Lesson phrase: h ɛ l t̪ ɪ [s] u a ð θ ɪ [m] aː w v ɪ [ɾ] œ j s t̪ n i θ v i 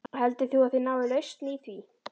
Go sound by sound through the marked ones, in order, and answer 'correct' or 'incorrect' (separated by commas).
incorrect, incorrect, incorrect